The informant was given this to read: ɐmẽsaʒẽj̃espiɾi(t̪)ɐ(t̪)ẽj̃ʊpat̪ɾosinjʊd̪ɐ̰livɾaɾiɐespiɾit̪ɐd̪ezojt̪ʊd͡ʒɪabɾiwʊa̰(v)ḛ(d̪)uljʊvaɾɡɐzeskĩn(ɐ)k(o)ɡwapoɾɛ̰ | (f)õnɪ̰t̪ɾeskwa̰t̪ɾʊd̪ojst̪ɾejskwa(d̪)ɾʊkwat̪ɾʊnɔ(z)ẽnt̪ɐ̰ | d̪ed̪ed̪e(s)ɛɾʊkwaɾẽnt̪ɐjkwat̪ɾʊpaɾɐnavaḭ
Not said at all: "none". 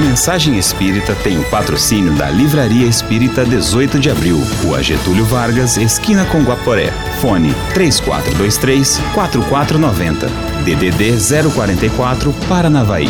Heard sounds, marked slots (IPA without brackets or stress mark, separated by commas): t̪, t̪, ʒ, t̪, ɐ, õ, f, t̪, v, z